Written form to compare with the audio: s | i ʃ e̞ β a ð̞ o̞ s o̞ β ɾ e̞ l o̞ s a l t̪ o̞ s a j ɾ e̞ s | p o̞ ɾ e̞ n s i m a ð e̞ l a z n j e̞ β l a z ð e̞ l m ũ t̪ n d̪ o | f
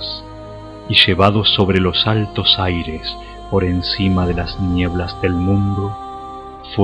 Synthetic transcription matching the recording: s | i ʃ e̞ β a ð̞ o̞ s o̞ β ɾ e̞ l o̞ s a l t̪ o̞ s a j ɾ e̞ s | p o̞ ɾ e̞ n s i m a ð e̞ l a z n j e̞ β l a z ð e̞ l m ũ n d̪ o | f